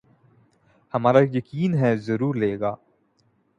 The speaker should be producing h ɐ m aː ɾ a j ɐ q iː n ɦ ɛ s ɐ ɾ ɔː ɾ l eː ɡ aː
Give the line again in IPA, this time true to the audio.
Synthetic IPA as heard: h ɐ m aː ɾ a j ɐ k iː n ɦ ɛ z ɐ ɾ uː ɾ l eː ɡ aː